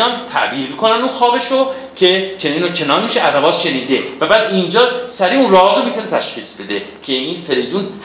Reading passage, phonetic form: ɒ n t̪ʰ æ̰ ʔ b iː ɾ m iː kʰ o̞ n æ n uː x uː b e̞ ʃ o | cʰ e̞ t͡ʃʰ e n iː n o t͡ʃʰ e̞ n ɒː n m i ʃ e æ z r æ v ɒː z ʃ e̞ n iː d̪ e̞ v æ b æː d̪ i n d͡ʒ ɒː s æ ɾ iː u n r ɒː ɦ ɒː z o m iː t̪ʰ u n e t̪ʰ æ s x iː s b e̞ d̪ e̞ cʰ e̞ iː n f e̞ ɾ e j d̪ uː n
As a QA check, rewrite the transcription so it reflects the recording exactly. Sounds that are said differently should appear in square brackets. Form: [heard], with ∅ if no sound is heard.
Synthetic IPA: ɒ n t̪ʰ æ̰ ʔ b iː ɾ m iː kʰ o̞ n æ n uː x [ɒː] b e̞ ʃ o | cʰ e̞ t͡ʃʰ e n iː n o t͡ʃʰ e̞ n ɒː n m i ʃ e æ z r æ v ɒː z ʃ e̞ n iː d̪ e̞ v æ b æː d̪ i n d͡ʒ ɒː s æ ɾ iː u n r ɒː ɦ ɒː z o m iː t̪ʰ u n e t̪ʰ æ [ʃ] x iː s b e̞ d̪ e̞ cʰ e̞ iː n f e̞ ɾ e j d̪ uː n